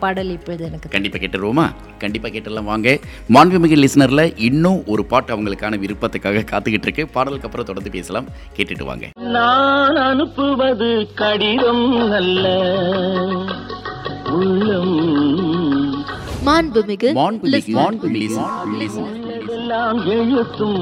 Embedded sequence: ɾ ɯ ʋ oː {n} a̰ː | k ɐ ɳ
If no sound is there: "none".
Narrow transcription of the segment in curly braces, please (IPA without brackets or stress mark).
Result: m